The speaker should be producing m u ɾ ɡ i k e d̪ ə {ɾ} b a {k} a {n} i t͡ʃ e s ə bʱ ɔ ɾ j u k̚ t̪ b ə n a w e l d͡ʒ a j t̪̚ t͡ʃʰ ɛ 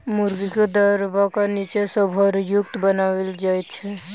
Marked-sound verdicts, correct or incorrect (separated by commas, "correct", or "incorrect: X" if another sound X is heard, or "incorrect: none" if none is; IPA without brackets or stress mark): correct, correct, correct